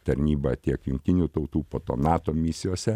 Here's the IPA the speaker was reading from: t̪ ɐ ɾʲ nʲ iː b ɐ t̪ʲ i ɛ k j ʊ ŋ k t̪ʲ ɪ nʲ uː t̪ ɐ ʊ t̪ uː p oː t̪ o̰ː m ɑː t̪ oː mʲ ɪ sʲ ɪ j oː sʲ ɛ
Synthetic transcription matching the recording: t̪ ɐ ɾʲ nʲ iː b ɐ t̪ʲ i ɛ k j ʊ ŋ k t̪ʲ ɪ nʲ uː t̪ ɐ ʊ t̪ uː p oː t̪ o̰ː n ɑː t̪ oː mʲ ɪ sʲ ɪ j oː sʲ ɛ